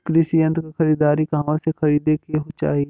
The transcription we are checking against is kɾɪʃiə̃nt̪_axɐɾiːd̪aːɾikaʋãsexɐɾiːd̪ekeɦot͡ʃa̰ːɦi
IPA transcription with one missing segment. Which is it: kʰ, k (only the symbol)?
k